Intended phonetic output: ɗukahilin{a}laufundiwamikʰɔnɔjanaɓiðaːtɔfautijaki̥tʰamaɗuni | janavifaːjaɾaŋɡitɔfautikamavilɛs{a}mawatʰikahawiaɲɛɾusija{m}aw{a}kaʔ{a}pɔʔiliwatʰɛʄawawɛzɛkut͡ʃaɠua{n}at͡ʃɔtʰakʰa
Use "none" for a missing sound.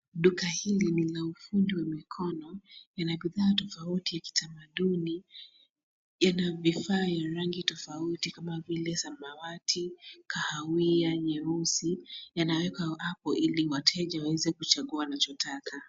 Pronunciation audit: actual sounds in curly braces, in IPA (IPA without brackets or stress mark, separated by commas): i, a, n, ɛ, a, n